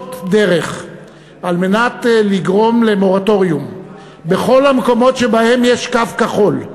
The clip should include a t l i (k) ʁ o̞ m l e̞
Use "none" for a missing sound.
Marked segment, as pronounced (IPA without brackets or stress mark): ɡ